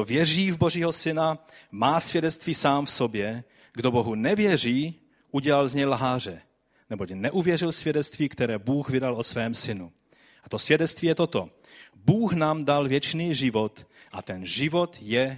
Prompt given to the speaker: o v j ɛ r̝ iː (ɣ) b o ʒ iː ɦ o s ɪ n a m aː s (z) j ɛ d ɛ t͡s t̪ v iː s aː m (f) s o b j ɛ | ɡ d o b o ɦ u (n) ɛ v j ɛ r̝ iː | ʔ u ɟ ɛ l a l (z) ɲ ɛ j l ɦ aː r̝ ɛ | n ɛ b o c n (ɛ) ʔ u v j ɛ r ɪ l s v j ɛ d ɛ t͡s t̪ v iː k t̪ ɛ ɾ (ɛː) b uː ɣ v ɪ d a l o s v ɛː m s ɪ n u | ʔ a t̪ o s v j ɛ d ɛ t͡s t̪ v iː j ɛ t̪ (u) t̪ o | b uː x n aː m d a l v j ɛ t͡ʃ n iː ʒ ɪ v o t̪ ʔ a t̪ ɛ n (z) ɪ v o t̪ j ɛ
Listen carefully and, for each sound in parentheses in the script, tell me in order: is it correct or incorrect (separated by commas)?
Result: incorrect, incorrect, correct, correct, correct, correct, correct, incorrect, incorrect